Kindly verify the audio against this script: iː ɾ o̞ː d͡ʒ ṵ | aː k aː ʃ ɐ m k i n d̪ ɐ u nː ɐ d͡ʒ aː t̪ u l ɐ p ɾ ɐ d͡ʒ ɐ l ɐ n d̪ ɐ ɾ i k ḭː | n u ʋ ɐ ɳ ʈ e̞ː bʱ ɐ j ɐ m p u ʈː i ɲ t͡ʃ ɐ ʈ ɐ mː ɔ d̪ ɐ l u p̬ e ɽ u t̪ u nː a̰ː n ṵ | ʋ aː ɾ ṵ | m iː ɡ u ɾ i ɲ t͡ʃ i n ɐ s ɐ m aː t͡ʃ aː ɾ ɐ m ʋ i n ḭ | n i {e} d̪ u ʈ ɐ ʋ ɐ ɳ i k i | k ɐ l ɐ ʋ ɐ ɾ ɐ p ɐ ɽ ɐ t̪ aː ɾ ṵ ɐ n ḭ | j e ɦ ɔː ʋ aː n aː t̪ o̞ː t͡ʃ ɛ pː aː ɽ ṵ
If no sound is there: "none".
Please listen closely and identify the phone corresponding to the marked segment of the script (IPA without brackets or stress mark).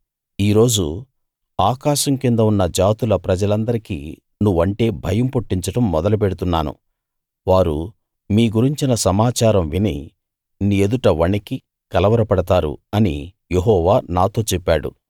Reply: e